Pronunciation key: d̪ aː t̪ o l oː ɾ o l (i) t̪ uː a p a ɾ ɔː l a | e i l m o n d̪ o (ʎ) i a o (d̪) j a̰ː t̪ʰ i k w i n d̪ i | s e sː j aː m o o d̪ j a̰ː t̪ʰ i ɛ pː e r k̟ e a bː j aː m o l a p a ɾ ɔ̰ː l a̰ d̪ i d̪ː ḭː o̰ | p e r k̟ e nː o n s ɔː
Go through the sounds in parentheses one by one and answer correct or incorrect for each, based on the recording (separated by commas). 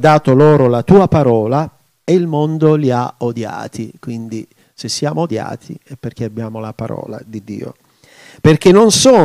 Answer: incorrect, incorrect, correct